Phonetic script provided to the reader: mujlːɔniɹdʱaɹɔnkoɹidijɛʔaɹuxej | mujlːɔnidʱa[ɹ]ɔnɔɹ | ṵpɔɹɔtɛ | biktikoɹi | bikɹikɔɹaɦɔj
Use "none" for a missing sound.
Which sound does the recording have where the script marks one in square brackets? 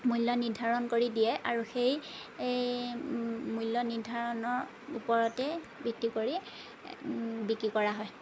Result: ɹ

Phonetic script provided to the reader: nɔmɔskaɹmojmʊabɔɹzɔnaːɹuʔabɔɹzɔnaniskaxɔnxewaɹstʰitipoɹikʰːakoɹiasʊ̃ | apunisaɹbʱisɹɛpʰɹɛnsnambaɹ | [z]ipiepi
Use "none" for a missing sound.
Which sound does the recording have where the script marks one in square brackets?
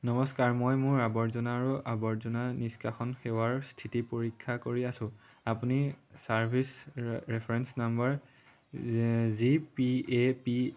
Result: z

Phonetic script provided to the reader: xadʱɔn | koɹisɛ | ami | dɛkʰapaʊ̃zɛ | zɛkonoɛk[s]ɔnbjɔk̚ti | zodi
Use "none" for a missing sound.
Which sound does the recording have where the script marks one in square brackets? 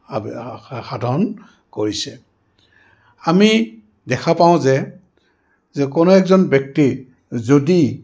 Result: z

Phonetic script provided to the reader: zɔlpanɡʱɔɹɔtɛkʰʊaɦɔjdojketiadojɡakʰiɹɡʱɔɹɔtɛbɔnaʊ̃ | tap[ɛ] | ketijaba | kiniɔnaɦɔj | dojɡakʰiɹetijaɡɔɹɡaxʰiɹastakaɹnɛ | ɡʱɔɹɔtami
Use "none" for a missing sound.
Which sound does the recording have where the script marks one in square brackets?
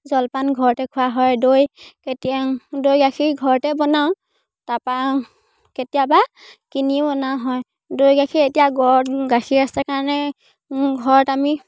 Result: a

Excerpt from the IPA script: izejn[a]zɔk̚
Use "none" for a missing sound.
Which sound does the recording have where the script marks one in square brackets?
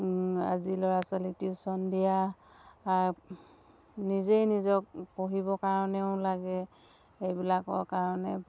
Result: i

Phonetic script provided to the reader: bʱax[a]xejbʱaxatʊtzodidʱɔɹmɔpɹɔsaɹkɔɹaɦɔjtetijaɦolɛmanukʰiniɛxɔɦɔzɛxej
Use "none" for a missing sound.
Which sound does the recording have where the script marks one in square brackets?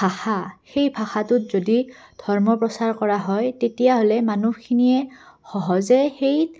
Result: a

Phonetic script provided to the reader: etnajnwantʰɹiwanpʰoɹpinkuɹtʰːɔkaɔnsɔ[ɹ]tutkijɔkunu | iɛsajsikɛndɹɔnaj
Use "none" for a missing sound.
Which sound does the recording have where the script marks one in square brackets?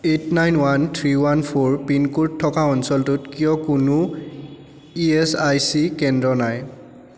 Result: l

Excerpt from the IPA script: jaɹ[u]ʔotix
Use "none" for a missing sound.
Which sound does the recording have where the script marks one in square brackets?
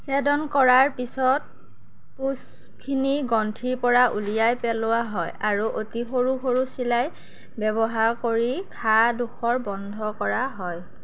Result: u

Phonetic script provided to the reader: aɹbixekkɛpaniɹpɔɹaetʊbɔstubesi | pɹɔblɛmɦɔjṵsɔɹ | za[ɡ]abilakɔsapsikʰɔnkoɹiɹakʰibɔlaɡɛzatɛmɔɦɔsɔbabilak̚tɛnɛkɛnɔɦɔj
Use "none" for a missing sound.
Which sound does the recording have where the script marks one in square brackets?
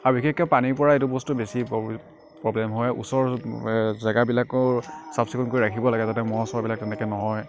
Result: ɡ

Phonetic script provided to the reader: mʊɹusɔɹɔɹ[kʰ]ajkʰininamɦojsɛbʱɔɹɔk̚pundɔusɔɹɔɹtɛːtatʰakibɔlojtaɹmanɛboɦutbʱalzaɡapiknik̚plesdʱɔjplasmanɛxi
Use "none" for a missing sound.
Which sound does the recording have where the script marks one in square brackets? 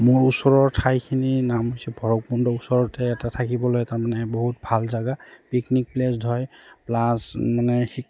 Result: tʰ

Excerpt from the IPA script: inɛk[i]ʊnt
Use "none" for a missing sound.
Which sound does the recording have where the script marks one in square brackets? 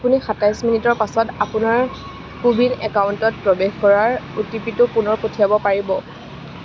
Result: a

